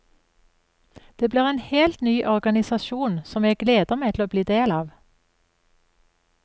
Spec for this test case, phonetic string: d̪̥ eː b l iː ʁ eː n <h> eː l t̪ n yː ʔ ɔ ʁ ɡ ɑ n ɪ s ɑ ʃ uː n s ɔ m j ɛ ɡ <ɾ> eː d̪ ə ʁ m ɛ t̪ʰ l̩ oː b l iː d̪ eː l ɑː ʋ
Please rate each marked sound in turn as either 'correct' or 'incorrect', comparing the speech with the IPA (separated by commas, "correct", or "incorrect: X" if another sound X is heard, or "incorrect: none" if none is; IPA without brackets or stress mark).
correct, incorrect: l